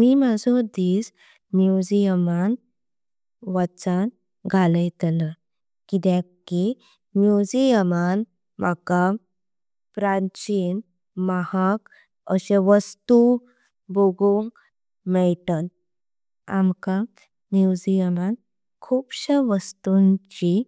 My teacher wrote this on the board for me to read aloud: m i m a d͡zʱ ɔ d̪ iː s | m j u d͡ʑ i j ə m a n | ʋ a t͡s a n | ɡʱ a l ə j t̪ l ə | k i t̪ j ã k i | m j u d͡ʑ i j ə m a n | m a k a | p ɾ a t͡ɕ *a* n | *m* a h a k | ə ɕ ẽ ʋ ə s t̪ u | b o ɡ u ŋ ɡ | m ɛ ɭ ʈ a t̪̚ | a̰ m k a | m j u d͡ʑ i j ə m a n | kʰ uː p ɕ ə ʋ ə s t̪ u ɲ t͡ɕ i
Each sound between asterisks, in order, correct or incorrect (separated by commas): incorrect, correct